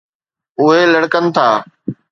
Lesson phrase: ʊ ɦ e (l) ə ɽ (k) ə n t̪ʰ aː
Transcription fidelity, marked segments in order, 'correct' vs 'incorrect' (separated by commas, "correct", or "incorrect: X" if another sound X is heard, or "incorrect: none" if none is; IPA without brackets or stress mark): correct, correct